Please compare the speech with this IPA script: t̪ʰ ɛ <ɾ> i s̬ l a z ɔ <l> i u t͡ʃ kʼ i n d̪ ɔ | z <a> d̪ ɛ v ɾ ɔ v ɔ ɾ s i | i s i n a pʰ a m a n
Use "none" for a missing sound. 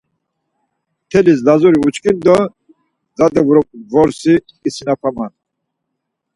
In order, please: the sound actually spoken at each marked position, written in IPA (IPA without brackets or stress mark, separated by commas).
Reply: l, ɾ, a